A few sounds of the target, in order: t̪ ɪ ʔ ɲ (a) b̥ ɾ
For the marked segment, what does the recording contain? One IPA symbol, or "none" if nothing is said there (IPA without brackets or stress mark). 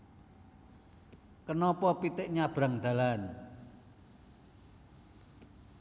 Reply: a